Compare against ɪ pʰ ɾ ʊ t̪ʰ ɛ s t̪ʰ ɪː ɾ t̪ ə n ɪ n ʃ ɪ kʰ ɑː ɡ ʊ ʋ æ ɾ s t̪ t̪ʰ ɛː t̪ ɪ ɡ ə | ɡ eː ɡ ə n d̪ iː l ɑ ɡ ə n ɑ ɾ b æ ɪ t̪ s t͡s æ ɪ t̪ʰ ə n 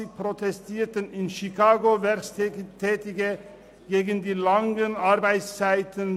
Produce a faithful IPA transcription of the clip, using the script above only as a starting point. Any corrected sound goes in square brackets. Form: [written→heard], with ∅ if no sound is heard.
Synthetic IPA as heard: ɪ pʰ ɾ ʊ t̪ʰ ɛ s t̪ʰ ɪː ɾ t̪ ə n ɪ n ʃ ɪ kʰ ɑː ɡ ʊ ʋ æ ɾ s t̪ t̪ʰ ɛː t̪ ɪ ɡ ə | ɡ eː ɡ ə n d̪ iː l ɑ [ɡ→ŋ] ə n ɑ ɾ b æ ɪ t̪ s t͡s æ ɪ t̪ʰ ə n